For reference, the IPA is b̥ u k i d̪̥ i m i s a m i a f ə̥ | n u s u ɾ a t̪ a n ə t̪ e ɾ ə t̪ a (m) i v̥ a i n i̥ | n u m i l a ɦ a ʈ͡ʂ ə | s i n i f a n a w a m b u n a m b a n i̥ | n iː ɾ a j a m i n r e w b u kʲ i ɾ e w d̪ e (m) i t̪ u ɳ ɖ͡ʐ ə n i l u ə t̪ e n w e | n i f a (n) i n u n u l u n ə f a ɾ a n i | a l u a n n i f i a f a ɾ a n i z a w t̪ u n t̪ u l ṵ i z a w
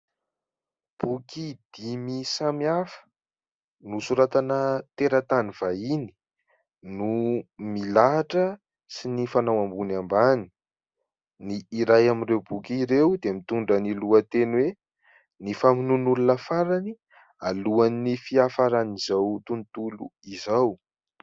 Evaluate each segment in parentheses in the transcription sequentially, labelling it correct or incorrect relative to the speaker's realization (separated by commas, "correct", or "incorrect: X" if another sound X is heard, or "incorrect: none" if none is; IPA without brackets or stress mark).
incorrect: n, correct, incorrect: m